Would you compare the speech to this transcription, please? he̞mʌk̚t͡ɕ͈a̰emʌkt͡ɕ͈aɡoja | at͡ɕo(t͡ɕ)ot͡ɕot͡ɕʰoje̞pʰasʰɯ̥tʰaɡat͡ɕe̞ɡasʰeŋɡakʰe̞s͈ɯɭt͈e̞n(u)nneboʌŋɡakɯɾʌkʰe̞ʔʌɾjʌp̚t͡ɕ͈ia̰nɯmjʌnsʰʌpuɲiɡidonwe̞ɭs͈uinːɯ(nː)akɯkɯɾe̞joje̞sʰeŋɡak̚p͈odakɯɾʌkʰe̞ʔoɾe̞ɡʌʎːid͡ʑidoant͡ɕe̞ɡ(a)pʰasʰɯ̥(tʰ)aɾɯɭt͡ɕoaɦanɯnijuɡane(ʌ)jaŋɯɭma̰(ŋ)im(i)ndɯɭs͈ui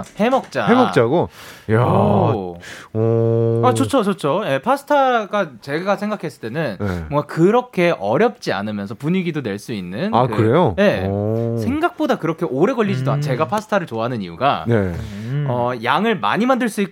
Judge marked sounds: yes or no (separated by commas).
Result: no, no, no, yes, yes, yes, no, no